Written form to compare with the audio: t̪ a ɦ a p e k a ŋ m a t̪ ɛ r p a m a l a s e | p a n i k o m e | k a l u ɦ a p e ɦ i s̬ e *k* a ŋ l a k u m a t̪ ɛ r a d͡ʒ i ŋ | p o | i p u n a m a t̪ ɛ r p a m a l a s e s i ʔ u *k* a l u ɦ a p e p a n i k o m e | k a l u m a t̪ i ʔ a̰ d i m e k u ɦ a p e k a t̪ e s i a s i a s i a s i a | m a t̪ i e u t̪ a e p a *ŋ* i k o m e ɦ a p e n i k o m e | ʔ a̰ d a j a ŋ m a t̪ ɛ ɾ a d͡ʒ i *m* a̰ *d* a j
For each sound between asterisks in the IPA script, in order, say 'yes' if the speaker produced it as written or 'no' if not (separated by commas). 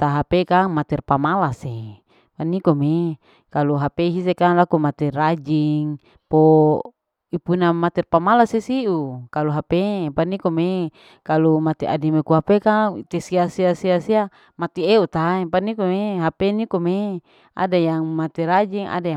yes, yes, no, no, yes